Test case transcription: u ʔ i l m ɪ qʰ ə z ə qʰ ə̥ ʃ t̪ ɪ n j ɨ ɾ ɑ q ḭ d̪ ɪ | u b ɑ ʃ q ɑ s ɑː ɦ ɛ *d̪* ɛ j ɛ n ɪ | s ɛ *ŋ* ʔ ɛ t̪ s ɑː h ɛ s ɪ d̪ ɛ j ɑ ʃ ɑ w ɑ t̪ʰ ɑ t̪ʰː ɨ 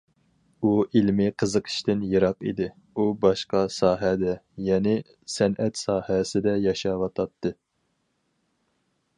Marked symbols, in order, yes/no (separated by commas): yes, no